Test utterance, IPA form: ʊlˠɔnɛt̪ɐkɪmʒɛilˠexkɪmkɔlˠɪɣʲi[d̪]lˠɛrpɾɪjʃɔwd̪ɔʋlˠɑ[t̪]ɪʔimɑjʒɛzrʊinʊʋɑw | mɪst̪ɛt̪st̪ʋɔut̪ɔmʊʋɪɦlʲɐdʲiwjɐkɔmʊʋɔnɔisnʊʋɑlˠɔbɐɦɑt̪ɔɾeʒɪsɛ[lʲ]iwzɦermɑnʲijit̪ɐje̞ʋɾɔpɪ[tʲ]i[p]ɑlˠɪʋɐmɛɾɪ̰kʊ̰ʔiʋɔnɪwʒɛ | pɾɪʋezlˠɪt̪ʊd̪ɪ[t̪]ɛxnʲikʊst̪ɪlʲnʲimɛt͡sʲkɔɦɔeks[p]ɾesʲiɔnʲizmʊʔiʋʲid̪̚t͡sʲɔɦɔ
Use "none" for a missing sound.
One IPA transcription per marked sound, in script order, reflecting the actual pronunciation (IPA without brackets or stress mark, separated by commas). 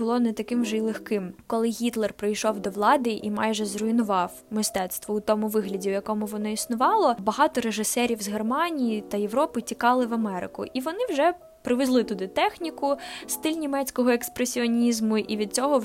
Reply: t̪, d̪, ɾʲ, tʲ, k, t̪, p